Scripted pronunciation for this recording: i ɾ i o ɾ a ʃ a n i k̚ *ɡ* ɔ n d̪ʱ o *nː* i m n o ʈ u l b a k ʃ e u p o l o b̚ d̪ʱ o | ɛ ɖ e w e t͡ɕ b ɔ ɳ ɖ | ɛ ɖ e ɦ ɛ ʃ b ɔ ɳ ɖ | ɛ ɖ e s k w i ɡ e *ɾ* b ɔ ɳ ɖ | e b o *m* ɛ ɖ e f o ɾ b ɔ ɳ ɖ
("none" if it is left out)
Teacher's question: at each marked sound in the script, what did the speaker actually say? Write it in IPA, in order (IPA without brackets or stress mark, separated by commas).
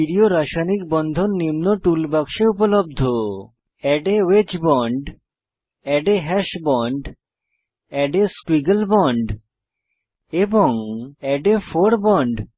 b, nː, l, ŋ